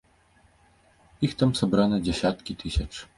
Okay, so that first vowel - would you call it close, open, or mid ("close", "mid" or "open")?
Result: close